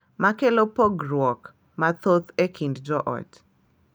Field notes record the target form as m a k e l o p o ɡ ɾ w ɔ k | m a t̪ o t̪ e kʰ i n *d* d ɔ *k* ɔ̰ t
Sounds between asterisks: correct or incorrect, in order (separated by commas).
correct, incorrect